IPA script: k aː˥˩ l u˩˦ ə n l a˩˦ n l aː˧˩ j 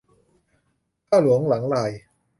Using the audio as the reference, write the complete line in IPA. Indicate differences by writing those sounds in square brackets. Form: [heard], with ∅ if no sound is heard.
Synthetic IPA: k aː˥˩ l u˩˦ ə [ŋ] l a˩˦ [ŋ] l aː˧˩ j